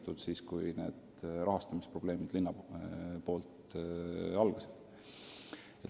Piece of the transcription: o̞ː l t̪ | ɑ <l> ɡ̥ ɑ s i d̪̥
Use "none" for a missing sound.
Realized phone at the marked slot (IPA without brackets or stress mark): l